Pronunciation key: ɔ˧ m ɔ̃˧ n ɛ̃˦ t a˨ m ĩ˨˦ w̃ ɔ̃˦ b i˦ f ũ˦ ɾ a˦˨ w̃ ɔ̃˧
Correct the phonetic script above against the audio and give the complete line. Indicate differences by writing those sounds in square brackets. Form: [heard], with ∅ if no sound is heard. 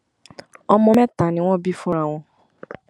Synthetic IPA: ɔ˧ m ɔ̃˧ [m] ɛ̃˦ t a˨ [n] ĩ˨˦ w̃ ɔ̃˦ b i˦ f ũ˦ ɾ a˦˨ w̃ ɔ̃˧